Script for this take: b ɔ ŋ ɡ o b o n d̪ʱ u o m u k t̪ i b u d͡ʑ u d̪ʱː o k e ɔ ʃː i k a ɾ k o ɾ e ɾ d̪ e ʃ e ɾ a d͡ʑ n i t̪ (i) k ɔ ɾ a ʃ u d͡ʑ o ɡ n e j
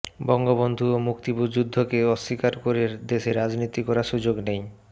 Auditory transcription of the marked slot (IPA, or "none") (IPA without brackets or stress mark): i